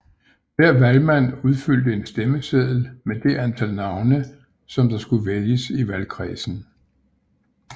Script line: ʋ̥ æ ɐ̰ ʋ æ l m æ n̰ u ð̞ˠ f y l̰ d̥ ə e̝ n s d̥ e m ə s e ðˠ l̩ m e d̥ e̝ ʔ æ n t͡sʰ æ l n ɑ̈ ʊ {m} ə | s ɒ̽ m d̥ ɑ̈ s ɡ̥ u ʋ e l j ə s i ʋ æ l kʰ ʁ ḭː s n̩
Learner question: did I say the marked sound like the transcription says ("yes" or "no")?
no